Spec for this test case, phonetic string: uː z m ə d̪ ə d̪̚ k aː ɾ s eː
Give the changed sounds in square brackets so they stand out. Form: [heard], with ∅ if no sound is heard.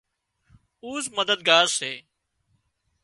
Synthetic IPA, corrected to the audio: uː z m ə d̪ ə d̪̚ [ɡ] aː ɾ s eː